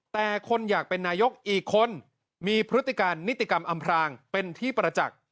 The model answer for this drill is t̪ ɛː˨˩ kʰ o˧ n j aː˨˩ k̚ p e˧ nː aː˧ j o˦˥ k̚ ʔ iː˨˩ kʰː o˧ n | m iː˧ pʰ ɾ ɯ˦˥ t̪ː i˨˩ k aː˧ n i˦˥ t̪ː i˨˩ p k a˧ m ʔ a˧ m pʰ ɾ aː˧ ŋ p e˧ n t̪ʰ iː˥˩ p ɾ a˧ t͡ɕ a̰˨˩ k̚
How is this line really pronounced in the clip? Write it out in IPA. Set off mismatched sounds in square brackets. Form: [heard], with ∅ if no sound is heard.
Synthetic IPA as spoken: t̪ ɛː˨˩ kʰ o˧ n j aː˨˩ k̚ p e˧ nː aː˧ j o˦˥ k̚ ʔ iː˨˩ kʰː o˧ n | m iː˧ pʰ ɾ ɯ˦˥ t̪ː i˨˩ k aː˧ [nː] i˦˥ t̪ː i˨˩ [∅] k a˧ m ʔ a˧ m pʰ ɾ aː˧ ŋ p e˧ n t̪ʰ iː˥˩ p ɾ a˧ t͡ɕ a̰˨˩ k̚